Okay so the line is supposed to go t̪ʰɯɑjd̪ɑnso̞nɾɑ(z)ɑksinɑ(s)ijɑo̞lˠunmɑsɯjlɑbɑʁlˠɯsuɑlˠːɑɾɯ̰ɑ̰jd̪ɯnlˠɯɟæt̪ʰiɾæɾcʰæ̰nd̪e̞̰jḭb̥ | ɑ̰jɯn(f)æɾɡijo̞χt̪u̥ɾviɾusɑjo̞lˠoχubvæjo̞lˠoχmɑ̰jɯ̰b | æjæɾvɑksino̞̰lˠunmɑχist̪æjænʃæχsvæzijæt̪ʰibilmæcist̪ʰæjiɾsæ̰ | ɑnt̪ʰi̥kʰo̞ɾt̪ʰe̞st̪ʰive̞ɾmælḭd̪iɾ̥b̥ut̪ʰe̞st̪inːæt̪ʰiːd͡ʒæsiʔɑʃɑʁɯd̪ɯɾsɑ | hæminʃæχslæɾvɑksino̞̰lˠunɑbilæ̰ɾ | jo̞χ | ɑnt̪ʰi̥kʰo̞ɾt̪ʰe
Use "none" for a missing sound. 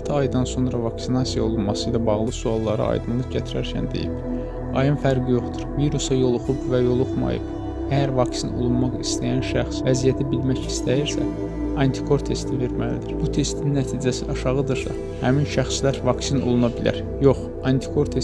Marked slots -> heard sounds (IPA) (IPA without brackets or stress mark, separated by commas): v, s, f